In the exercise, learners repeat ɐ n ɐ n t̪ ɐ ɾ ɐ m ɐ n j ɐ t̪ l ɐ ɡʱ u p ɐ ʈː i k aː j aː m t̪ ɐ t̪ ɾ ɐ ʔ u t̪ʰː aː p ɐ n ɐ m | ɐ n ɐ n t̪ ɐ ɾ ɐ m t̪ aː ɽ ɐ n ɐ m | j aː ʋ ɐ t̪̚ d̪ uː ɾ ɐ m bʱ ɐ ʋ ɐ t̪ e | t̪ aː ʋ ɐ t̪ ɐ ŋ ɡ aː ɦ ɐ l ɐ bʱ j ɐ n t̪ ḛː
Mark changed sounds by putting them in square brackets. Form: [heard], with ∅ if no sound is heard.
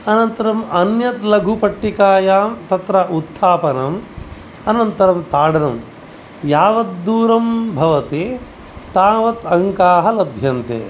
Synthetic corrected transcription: ɐ n ɐ n t̪ ɐ ɾ ɐ m ɐ n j ɐ t̪ l ɐ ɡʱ u p ɐ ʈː i k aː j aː m t̪ ɐ t̪ ɾ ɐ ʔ u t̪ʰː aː p ɐ n ɐ m | ɐ n ɐ n t̪ ɐ ɾ ɐ m t̪ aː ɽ ɐ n ɐ m | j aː ʋ ɐ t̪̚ d̪ uː ɾ ɐ m bʱ ɐ ʋ ɐ t̪ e | t̪ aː ʋ ɐ t̪ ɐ ŋ [k] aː ɦ ɐ l ɐ bʱ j ɐ n t̪ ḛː